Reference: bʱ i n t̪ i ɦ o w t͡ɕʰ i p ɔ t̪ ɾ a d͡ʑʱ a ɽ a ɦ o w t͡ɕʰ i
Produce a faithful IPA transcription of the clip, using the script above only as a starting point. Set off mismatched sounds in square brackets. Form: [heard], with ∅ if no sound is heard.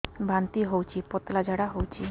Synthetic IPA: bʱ [a] n t̪ i ɦ o w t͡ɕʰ i p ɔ t̪ [l] a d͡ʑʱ a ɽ a ɦ o w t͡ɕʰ i